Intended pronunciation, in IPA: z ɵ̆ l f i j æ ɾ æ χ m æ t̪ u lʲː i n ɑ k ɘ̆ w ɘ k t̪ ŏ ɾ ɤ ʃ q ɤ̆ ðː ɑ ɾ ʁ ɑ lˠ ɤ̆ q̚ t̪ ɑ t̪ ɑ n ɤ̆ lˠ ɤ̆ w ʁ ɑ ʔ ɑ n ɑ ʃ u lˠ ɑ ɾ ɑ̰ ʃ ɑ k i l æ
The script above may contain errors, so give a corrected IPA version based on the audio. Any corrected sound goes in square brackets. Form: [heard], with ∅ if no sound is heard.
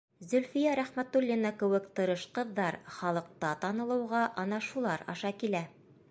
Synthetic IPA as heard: z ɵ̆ l f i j æ ɾ æ χ m æ t̪ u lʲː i n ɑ k ɘ̆ w ɘ k t̪ [ɤ̆] ɾ ɤ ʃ q ɤ̆ ðː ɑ ɾ [χ] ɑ lˠ ɤ̆ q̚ t̪ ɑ t̪ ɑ n ɤ̆ lˠ ɤ̆ w ʁ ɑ ʔ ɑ n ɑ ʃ u lˠ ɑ ɾ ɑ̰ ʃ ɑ k i l æ